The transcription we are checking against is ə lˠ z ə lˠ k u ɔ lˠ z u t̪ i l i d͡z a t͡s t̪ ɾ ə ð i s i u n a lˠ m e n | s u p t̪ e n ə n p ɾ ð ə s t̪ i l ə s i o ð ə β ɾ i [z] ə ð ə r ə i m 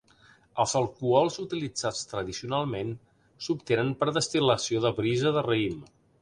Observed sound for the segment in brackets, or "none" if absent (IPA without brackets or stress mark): z